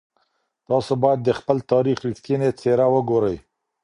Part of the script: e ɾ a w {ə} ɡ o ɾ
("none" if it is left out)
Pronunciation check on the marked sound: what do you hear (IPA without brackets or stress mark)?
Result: ə